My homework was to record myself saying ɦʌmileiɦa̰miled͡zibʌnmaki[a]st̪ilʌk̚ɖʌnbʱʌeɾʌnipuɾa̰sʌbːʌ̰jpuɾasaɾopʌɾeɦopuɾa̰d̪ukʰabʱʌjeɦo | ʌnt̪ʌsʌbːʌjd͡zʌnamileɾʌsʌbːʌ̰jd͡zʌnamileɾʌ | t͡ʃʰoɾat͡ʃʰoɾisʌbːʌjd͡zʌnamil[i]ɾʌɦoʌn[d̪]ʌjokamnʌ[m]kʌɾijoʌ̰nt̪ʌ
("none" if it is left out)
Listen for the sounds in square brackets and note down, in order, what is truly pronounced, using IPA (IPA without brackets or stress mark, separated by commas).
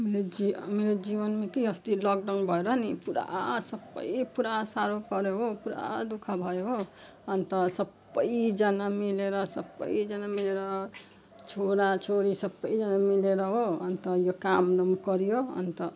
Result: ʌ, e, t̪, m